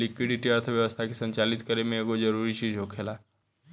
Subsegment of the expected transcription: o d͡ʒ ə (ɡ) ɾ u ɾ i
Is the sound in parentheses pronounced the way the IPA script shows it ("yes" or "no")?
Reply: no